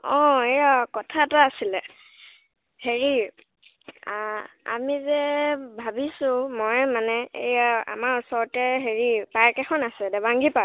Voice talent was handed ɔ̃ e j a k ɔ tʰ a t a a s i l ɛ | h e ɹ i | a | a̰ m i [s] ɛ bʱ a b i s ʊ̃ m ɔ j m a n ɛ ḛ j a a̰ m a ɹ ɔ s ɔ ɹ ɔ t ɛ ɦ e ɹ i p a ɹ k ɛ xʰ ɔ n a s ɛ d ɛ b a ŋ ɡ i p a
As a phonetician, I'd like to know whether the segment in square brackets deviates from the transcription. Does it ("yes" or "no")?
yes